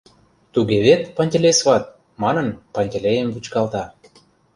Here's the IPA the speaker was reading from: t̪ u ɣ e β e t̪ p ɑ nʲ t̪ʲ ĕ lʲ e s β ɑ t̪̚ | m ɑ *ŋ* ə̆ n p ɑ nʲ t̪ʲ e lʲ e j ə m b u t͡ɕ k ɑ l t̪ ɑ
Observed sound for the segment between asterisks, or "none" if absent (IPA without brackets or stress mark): n